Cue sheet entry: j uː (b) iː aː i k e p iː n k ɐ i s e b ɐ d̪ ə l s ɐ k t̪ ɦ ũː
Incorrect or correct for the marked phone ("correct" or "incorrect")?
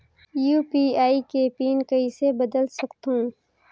incorrect